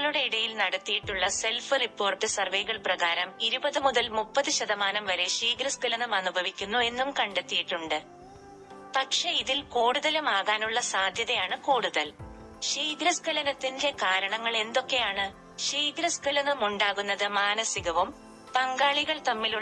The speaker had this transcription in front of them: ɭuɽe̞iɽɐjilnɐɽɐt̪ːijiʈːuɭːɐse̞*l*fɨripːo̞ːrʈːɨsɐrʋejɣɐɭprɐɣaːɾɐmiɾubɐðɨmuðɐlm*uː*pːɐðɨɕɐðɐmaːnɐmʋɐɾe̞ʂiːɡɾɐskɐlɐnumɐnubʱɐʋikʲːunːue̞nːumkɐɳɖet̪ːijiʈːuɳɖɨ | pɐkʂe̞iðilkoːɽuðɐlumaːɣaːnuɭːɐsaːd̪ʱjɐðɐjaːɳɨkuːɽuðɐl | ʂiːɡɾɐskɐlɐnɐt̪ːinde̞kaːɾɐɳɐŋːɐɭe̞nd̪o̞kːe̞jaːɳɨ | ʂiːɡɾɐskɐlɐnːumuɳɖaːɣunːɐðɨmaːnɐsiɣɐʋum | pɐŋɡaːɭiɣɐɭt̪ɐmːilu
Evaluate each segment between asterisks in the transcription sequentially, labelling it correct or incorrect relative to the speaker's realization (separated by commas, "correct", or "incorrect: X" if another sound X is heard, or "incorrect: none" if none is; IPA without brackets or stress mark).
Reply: correct, incorrect: u